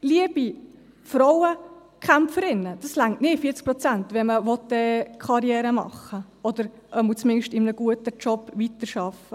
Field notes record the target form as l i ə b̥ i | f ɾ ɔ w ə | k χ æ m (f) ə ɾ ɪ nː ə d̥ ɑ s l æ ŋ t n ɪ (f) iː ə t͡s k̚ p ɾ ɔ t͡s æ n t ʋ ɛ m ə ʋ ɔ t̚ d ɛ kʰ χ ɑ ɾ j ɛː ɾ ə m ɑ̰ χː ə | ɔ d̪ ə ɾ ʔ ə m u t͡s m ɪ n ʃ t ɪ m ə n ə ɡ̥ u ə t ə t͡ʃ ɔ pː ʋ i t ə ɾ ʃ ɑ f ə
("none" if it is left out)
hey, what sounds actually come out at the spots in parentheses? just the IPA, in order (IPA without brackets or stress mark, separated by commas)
f, f